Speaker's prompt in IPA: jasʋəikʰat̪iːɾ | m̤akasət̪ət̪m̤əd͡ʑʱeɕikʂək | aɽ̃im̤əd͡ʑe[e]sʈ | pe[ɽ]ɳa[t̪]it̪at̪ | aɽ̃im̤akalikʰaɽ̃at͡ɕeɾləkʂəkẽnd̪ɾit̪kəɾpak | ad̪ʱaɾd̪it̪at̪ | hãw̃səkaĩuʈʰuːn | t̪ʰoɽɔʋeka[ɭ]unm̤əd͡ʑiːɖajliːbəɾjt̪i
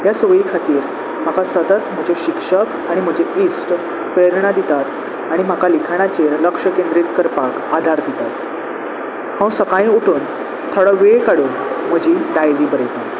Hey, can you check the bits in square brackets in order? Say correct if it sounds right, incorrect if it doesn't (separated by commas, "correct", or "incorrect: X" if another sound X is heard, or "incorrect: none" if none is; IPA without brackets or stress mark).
incorrect: i, incorrect: ɾ, incorrect: d̪, incorrect: ɽ